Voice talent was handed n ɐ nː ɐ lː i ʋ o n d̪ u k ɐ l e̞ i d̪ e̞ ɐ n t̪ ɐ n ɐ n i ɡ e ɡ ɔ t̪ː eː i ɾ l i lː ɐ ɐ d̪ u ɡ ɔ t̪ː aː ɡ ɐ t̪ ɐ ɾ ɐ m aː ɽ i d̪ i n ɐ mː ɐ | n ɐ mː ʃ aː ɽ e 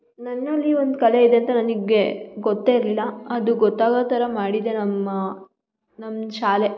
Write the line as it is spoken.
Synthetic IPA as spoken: n ɐ nː ɐ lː i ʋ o n d̪ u k ɐ l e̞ i d̪ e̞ ɐ n t̪ ɐ n ɐ n i ɡ e ɡ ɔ t̪ː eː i ɾ l i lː ɐ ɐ d̪ u ɡ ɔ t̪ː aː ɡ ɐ t̪ ɐ ɾ ɐ m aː ɽ i d̪ e n ɐ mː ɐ | n ɐ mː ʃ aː l e